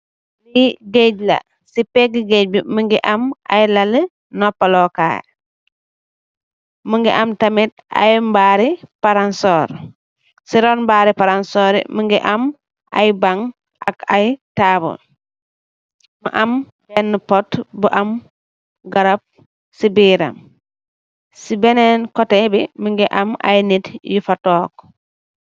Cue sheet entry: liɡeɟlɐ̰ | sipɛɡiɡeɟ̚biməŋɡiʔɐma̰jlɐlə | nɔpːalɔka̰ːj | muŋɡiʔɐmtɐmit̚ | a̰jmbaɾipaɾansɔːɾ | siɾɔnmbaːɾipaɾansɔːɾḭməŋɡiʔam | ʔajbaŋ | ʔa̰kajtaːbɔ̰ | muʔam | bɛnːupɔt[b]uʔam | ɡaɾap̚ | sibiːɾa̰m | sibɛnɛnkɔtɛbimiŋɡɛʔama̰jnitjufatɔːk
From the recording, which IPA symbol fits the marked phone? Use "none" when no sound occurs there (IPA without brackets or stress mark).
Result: b